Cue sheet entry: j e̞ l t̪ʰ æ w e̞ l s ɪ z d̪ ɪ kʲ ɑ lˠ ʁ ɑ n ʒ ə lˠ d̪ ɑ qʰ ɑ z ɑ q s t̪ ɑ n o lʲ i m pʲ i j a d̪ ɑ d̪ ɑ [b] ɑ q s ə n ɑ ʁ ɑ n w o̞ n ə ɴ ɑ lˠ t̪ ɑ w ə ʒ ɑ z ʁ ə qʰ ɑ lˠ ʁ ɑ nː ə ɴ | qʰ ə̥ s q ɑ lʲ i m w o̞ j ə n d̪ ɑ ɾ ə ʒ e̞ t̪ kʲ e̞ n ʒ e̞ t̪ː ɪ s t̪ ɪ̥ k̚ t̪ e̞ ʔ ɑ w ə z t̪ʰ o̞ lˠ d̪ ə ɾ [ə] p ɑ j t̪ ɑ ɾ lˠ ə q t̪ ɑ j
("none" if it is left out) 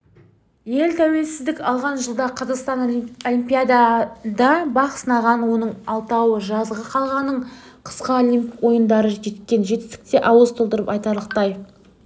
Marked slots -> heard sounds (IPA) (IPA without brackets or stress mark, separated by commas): b, ə